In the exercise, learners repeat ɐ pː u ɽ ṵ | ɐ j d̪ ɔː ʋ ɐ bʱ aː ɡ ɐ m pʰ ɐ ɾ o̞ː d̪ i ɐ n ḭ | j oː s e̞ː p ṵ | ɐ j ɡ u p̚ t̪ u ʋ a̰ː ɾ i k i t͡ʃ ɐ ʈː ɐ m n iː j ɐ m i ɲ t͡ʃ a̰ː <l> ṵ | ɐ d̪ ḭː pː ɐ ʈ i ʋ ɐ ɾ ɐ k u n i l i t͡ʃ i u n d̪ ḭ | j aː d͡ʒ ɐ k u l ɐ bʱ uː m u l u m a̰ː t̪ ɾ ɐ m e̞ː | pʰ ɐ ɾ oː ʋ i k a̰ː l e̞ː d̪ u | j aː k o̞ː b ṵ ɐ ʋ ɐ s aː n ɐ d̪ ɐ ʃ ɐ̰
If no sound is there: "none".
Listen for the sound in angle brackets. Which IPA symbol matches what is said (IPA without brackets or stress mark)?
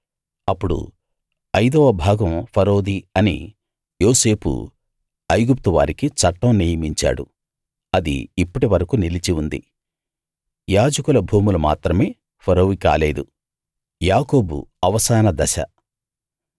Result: ɽ